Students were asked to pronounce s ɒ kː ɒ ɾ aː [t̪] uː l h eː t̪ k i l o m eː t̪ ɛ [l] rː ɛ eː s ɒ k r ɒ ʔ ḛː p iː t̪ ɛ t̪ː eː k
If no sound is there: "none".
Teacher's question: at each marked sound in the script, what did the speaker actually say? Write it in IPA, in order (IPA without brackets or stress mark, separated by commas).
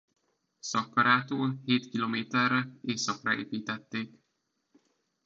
t̪, none